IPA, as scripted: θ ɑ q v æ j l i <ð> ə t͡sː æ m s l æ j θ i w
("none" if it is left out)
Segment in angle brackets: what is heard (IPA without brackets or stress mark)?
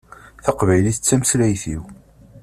θ